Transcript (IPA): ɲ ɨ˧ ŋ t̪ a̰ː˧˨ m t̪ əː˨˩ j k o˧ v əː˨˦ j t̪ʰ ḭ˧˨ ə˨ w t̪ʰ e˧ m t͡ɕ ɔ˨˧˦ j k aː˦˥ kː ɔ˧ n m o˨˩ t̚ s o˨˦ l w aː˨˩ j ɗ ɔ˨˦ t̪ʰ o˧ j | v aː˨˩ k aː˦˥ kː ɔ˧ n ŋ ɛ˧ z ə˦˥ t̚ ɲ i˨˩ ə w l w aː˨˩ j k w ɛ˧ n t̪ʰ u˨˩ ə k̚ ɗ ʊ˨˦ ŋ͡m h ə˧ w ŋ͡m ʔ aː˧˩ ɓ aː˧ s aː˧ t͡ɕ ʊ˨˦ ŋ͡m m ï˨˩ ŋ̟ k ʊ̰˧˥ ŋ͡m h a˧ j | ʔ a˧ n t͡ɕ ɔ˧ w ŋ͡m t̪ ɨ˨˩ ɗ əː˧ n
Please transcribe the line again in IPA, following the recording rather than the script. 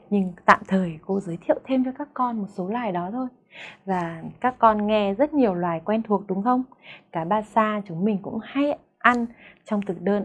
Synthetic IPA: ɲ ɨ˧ ŋ t̪ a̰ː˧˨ m t̪ʰ əː˨˩ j k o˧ z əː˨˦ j t̪ʰ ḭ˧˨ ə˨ w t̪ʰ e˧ m t͡ɕ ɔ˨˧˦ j k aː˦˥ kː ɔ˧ n m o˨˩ t̚ s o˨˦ l w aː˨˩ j ɗ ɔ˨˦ t̪ʰ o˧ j | v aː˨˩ k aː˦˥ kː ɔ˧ n ŋ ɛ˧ z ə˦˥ t̚ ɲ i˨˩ ə w l w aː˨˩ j k w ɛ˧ n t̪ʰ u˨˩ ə k̚ ɗ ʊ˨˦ ŋ͡m x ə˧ w ŋ͡m k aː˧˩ ɓ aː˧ s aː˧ t͡ɕ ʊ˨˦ ŋ͡m m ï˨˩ ŋ̟ k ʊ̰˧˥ ŋ͡m h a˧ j | ʔ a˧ n t͡ɕ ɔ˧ w ŋ͡m t̪ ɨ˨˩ ɗ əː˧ n